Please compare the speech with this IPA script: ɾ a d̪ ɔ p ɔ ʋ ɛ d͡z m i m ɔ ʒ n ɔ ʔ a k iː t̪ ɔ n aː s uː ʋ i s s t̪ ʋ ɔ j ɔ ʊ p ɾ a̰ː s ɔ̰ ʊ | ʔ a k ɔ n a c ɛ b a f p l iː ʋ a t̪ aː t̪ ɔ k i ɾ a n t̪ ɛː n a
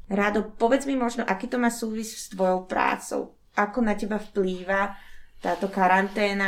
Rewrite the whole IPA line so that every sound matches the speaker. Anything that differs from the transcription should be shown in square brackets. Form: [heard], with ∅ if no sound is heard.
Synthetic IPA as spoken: ɾ a d̪ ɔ p ɔ ʋ ɛ d͡z m i m ɔ ʒ n ɔ ʔ a k iː t̪ ɔ [m] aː s uː ʋ i s s t̪ ʋ ɔ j ɔ ʊ p ɾ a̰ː [t͡s] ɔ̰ ʊ | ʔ a k ɔ n a c ɛ b a f p l iː ʋ a t̪ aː t̪ ɔ k [a] ɾ a n t̪ ɛː n a